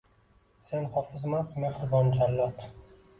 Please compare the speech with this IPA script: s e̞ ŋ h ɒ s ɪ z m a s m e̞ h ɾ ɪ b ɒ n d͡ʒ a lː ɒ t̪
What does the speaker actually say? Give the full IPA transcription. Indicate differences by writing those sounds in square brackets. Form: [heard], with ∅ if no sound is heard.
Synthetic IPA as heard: s e̞ [n] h ɒ [f] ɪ z m a s m e̞ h ɾ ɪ b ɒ n d͡ʒ a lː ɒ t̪